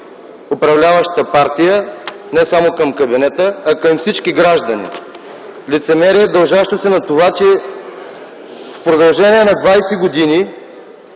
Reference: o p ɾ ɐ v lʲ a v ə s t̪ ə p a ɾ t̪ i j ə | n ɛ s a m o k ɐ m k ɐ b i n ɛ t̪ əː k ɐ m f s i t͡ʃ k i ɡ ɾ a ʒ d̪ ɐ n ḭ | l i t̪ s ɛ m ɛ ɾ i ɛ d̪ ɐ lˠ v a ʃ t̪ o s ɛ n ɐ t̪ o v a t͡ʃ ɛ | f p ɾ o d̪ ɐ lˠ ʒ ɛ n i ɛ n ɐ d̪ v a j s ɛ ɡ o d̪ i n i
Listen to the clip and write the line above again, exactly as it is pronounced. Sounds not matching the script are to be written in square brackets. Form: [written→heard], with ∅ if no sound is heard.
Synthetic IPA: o p ɾ ɐ v lʲ a v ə [s→ʃ] t̪ ə p a ɾ t̪ i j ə | n ɛ s a m o k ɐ m k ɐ b i n ɛ t̪ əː k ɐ m f s i t͡ʃ k i ɡ ɾ a ʒ d̪ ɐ n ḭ | l i t̪ s ɛ m ɛ ɾ i ɛ d̪ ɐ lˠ [v→ʒ] a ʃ t̪ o s ɛ n ɐ t̪ o v a t͡ʃ ɛ | f p ɾ o d̪ ɐ lˠ ʒ ɛ n i ɛ n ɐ d̪ v a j s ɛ ɡ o d̪ i n i